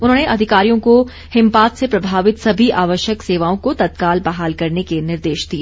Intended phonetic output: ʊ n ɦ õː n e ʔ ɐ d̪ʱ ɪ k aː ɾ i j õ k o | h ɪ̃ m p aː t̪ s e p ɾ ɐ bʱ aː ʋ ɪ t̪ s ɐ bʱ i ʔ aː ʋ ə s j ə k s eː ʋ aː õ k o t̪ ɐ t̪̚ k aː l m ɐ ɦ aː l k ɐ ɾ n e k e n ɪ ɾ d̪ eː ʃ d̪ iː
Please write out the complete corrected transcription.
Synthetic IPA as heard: ʊ n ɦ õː n e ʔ ɐ d̪ʱ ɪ k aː ɾ i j õ k o | h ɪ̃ m p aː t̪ s e p ɾ ɐ bʱ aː ʋ ɪ t̪ s ɐ bʱ i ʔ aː ʋ ə ʃ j ə k s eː ʋ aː õ k o t̪ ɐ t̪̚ k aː l b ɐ ɦ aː l k ɐ ɾ n e k e n ɪ ɾ d̪ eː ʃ d̪ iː